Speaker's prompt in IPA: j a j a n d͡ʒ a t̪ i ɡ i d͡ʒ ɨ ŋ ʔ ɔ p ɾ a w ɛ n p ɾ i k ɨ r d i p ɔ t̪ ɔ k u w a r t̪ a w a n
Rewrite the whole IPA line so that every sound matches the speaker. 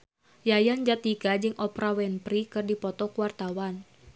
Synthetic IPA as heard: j a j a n d͡ʒ a t̪ i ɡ a d͡ʒ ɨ ŋ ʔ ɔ p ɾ a w ɛ n p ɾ i k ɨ r d i p ɔ t̪ ɔ k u w a r t̪ a w a n